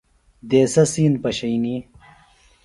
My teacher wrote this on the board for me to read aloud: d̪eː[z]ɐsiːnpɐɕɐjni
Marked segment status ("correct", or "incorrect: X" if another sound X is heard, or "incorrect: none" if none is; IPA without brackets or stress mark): incorrect: s